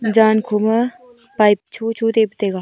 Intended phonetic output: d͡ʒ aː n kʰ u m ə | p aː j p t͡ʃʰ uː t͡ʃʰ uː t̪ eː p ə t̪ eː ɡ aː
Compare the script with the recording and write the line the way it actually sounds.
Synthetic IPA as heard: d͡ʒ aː n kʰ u m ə | p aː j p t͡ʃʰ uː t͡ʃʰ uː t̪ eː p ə t̪ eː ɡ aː